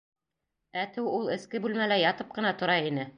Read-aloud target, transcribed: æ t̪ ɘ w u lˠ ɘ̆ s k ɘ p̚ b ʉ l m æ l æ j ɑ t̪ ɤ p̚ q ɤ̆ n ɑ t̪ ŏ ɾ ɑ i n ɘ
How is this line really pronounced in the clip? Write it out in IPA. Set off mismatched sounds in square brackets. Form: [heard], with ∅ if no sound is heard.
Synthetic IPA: æ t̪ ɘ w u lˠ ɘ̆ s k ɘ [∅] b ʉ l m æ l æ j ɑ t̪ ɤ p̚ q ɤ̆ n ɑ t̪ ŏ ɾ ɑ i n ɘ